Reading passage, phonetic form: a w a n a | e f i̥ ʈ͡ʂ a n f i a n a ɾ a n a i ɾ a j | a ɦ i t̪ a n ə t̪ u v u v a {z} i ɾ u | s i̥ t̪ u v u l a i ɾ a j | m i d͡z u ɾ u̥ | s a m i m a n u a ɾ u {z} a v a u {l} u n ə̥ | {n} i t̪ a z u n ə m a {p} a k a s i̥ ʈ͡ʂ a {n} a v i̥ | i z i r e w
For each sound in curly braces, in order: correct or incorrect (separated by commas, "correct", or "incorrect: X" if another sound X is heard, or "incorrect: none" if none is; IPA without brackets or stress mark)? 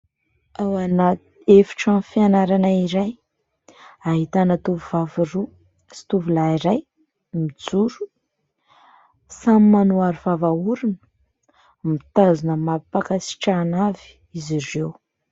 incorrect: v, incorrect: v, incorrect: ɾ, incorrect: m, correct, correct